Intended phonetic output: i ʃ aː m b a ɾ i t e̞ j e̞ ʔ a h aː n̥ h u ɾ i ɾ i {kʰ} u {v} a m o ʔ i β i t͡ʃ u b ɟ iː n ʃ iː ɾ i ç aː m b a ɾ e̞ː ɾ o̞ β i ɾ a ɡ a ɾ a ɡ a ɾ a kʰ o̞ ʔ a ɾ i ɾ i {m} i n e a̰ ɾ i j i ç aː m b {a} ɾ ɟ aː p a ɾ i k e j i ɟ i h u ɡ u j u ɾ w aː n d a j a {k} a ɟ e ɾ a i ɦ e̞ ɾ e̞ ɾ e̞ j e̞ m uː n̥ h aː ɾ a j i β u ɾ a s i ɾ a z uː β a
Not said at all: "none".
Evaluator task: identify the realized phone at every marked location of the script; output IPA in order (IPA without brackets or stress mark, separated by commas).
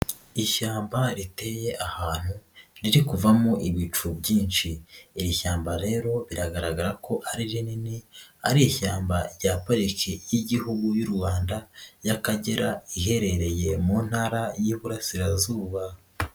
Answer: k, v, n, a, k